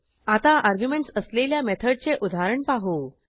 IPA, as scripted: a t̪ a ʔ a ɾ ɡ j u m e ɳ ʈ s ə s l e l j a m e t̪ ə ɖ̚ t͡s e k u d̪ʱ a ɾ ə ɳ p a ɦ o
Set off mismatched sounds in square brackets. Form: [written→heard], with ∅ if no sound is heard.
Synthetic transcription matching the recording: a t̪ a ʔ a ɾ ɡ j u m e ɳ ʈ s ə s l e l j a m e [t̪→t̪ʰ] ə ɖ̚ t͡s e [k→ʔ] u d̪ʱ a ɾ ə ɳ p a ɦ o

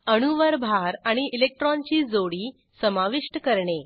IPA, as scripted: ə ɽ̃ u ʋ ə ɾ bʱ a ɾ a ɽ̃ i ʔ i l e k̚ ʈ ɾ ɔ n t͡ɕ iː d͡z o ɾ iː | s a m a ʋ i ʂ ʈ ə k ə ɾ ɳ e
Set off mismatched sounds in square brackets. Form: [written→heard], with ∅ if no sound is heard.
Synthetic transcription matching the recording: ə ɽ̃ u ʋ ə ɾ bʱ a ɾ a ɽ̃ i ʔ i l e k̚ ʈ ɾ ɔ n t͡ɕ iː d͡z o [ɾ→ɽ] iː | s [a→ə] m a ʋ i ʂ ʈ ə k ə ɾ ɳ e

